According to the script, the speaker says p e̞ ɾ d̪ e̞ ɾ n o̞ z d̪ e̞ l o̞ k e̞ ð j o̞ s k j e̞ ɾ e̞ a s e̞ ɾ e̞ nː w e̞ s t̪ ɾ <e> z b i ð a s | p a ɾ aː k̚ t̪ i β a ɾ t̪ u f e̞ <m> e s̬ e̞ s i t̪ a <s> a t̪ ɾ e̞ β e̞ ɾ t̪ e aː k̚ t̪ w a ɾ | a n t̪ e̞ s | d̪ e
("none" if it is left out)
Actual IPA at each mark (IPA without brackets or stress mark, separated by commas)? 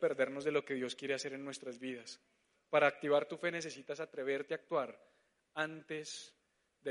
a, n, s